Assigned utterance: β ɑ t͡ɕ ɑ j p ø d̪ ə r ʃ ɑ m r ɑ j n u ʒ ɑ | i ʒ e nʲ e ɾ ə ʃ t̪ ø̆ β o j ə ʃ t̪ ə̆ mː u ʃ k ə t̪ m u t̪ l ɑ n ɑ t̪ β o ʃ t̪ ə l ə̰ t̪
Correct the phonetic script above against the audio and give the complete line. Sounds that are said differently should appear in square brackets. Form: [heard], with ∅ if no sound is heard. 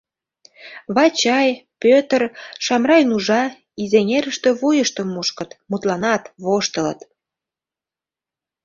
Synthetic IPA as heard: β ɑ t͡ɕ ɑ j p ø [t̪] ə r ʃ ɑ m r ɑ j n u ʒ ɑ | i [z] e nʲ e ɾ ə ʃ t̪ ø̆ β o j ə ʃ t̪ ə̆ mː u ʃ k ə t̪ m u t̪ l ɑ n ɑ t̪ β o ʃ t̪ ə l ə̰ t̪

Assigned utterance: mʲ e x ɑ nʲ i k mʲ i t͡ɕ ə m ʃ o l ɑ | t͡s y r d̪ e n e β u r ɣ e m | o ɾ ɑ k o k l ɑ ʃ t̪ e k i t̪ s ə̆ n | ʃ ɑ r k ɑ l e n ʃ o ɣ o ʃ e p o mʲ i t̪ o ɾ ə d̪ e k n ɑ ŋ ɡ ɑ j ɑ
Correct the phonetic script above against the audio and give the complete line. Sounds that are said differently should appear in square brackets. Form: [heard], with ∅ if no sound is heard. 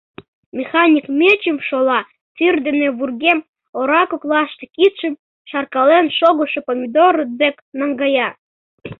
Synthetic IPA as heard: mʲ e x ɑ nʲ i k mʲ [e] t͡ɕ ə m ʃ o l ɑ | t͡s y r d̪ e n e β u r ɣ e m | o ɾ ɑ k o k l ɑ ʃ t̪ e k i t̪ [ʃ] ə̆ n | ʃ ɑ r k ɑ l e n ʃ o ɣ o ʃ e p o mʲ i [d̪] o ɾ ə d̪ e k n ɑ ŋ ɡ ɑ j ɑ

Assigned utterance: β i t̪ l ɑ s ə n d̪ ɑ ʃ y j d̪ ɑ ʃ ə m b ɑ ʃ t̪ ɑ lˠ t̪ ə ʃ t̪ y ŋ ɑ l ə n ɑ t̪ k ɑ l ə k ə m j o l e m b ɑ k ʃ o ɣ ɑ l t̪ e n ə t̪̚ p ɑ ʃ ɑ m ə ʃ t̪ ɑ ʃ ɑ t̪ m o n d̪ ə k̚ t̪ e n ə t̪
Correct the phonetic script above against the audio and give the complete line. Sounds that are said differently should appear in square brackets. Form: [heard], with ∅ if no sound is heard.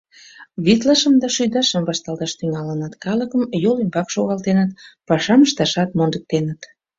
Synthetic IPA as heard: β i t̪ l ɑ [ʃ] ə [m] d̪ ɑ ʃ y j d̪ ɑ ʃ ə m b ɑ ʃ t̪ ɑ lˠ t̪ [ɑ] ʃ t̪ y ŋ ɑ l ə n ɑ t̪ k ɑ l ə k ə m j o l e m b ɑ k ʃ o ɣ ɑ l t̪ e n ə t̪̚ p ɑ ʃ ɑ m ə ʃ t̪ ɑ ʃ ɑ t̪ m o n d̪ ə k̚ t̪ e n ə t̪

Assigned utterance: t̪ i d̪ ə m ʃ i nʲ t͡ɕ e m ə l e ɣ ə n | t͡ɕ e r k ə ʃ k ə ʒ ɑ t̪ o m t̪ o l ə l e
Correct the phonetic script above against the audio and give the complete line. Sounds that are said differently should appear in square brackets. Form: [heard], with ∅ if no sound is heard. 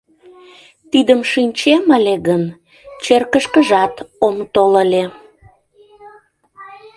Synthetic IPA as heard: t̪ i d̪ ə m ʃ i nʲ t͡ɕ e m ə l e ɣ ə n | t͡ɕ e r k ə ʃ k ə ʒ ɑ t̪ o m t̪ o l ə l e

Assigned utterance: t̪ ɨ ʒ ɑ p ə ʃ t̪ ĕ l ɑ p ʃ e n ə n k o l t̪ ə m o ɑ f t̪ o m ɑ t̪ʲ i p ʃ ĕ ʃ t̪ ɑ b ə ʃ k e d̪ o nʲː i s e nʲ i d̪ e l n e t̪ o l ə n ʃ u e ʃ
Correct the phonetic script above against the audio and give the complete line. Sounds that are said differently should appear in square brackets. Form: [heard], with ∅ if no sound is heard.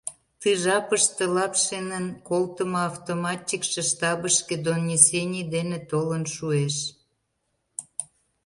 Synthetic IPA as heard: t̪ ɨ ʒ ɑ p ə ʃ t̪ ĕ l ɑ p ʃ e n ə n k o l t̪ ə m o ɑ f t̪ o m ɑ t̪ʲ i [k] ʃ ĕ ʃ t̪ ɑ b ə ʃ k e d̪ o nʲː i s e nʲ i d̪ e [∅] n e t̪ o l ə n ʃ u e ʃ

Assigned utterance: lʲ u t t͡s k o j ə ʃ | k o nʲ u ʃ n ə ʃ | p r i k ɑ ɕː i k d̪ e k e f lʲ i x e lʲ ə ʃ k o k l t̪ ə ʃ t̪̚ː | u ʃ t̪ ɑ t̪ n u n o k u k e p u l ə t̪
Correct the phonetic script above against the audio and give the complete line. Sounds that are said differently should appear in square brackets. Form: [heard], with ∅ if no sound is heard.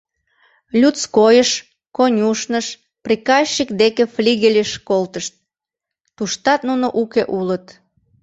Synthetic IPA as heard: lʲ u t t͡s k o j ə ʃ | k o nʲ u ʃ n ə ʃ | p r i k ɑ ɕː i k d̪ e k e f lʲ i [ɣ] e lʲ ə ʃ k o [∅] l t̪ ə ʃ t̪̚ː | u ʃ t̪ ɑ t̪ n u n o [ʔ] u k e [ʔ] u l ə t̪

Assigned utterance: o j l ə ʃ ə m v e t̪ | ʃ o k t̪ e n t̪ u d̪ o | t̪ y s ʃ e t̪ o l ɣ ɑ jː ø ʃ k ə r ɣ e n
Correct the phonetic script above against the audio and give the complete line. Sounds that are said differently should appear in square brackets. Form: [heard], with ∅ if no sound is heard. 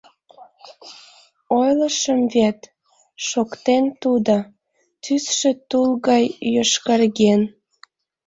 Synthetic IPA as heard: o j l ə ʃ ə m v e t̪ | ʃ o k t̪ e n t̪ u d̪ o | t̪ y s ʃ e t̪ [u] l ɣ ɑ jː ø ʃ k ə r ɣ e n

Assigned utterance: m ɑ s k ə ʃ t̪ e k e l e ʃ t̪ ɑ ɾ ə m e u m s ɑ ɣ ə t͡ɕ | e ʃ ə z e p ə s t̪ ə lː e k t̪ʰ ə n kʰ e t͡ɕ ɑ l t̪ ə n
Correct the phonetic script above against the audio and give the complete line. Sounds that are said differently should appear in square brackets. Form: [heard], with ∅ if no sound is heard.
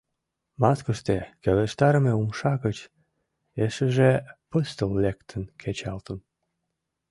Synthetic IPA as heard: m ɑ s k ə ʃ t̪ e k e l e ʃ t̪ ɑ ɾ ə m e u m [ʃ] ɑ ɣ ə t͡ɕ | e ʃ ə [ʒ] e p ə s t̪ ə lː e k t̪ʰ ə n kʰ e t͡ɕ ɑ l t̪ ə n

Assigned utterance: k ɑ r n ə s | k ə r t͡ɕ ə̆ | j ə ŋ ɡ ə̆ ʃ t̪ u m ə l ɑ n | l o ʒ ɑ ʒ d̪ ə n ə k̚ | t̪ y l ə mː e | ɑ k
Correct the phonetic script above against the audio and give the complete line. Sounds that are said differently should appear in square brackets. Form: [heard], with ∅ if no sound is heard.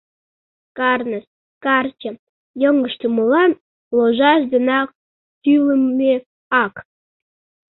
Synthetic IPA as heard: k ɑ r n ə s | k [ɑ] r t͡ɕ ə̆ | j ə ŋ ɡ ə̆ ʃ t̪ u m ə l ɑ n | l o ʒ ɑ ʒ d̪ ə n [ɑ] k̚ | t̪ y l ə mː e | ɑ k

